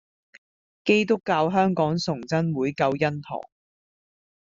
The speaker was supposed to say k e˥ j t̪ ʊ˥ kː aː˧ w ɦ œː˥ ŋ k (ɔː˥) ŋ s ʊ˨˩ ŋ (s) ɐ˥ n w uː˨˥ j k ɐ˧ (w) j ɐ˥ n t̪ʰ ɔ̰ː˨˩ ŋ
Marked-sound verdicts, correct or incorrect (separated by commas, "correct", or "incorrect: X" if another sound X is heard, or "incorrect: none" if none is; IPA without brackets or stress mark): incorrect: ɔː˨˥, incorrect: t͡s, correct